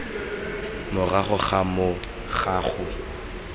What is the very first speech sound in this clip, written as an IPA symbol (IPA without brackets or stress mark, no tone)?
m